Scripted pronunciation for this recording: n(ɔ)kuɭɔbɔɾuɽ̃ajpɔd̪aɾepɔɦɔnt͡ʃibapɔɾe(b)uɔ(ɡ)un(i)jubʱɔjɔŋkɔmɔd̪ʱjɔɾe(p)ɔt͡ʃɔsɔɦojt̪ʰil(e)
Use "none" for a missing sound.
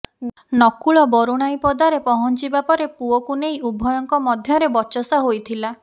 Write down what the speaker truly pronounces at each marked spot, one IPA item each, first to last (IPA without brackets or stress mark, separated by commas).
ɔ, p, k, e, b, a